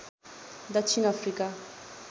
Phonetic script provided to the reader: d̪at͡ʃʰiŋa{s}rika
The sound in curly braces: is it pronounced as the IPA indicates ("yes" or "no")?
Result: no